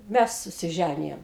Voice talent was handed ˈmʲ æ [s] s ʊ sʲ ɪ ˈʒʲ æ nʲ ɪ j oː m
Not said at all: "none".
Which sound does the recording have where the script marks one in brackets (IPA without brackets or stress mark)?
s